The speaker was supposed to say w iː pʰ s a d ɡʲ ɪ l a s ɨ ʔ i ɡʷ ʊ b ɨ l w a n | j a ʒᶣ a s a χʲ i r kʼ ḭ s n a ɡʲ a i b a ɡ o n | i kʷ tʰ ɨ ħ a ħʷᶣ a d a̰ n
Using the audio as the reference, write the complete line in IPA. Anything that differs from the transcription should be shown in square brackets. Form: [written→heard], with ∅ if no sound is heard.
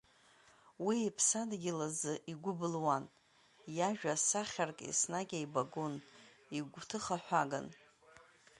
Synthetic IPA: w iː pʰ s a d ɡʲ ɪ l a [s→z] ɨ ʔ i ɡʷ ʊ b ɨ l w a n | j a ʒᶣ a s a χʲ [i→a] r kʼ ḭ s n a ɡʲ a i b a ɡ o n | i [kʷ→ɡʷ] tʰ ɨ [ħ→χ] a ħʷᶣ a [d→ɡ] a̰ n